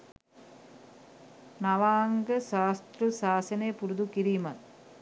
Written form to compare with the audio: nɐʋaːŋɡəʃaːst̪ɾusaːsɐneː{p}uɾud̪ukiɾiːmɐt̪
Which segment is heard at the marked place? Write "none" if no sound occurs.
p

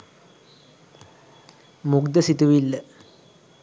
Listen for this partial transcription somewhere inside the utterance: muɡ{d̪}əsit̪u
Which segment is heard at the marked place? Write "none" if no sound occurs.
d̪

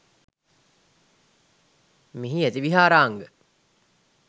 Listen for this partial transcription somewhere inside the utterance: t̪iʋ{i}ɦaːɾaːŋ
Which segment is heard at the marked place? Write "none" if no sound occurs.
i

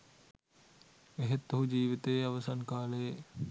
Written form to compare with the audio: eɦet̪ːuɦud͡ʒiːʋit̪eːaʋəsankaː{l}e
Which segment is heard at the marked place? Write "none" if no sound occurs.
l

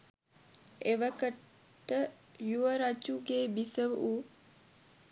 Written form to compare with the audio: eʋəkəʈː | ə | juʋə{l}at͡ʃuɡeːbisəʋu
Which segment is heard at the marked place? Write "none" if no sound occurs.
ɾ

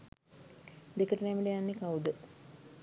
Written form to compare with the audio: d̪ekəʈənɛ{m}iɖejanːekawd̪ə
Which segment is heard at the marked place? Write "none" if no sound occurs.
m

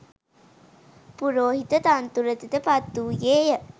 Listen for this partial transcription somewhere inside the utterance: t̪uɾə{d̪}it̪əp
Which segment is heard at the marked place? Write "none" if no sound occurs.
t̪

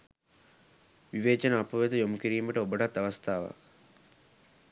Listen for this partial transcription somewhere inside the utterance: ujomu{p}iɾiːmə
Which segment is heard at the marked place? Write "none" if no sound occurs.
k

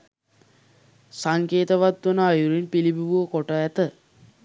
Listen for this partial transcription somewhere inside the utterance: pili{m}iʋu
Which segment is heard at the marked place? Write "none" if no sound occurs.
b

